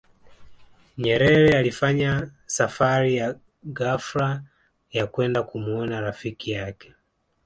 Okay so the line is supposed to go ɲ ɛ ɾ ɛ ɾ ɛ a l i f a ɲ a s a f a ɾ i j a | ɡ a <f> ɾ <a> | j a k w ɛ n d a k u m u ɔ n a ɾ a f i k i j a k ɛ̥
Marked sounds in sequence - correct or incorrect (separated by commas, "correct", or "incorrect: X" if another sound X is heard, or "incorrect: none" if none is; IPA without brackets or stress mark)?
correct, correct